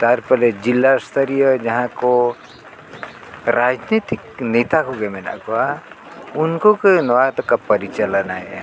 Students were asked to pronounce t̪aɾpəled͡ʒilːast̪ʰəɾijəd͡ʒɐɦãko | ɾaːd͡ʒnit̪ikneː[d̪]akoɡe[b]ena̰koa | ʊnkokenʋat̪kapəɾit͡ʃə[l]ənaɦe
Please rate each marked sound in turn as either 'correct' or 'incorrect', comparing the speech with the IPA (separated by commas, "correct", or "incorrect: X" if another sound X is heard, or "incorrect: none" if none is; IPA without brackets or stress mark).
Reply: incorrect: t̪, incorrect: m, correct